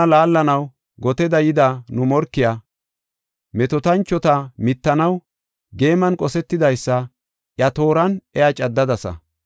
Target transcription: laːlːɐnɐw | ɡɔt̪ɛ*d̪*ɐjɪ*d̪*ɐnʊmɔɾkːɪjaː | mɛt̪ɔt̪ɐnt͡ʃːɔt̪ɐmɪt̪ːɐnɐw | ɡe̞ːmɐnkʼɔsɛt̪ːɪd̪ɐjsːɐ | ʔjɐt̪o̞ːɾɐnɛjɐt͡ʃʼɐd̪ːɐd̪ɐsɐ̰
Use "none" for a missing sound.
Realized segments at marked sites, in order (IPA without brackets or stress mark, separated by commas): d̪, d̪